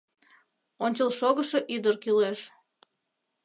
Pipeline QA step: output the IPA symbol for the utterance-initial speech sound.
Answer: o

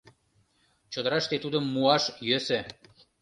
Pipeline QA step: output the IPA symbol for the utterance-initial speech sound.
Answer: t͡ɕ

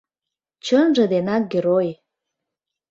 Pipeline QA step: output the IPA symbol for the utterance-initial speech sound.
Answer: t͡ɕ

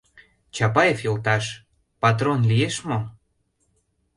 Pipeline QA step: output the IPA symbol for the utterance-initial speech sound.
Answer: t͡ɕ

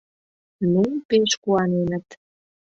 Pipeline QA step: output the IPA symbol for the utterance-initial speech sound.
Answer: n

